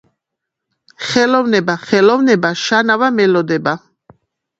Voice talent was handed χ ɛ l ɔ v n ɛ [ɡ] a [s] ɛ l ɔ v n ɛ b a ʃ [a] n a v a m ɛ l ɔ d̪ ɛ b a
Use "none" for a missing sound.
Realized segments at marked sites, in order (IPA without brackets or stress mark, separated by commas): b, χ, a